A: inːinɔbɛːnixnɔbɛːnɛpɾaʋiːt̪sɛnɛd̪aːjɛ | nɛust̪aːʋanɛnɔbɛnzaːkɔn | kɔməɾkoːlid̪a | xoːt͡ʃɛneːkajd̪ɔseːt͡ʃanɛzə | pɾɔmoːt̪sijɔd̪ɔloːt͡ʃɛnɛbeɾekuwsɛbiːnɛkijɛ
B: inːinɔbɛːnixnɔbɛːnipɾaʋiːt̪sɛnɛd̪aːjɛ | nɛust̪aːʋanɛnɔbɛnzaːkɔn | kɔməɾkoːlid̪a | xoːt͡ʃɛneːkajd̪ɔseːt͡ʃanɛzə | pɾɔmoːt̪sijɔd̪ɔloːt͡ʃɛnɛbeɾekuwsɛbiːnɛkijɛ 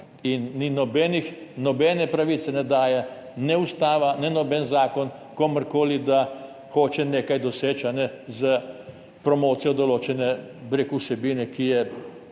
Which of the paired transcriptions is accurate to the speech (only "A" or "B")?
A